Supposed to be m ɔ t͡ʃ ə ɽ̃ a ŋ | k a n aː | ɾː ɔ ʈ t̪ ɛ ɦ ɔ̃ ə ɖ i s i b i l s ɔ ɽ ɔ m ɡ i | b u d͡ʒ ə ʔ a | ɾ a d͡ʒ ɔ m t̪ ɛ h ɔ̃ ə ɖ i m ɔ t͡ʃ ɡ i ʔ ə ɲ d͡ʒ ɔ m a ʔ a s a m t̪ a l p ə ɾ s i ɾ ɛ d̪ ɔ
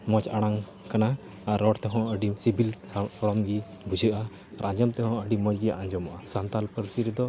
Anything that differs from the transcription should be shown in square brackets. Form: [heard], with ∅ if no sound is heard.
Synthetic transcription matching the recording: m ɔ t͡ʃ [a] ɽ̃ a ŋ | k a n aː | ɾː ɔ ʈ t̪ ɛ ɦ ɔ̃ ə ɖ i s i b i l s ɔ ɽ ɔ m ɡ i | b u d͡ʒ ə ʔ a | ɾ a d͡ʒ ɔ m t̪ ɛ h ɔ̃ ə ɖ i m ɔ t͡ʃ ɡ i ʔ [a] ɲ d͡ʒ ɔ m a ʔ a s a [n] t̪ a l p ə ɾ s i ɾ ɛ d̪ ɔ